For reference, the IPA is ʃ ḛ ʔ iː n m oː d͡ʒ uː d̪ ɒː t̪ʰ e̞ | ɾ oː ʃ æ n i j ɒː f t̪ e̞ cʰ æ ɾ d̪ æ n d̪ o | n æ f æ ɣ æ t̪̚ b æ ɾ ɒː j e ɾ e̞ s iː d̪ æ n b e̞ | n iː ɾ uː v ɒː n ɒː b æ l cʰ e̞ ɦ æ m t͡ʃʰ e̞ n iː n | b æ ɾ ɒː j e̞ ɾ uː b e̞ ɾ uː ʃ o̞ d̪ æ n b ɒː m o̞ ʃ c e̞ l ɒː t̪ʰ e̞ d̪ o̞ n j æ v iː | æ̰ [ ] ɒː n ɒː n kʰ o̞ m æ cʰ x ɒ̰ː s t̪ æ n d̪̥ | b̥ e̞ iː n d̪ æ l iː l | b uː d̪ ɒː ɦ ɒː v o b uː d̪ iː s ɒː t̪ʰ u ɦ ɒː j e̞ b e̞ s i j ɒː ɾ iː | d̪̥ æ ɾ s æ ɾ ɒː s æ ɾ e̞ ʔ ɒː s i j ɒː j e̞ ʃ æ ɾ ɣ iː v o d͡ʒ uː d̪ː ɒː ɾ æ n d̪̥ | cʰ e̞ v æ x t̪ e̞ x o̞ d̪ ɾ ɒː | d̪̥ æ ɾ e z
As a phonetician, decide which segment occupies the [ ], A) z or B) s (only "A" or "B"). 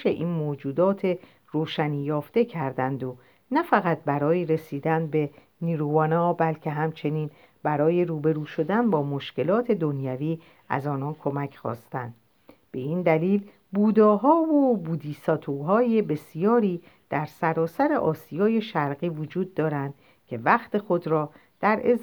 A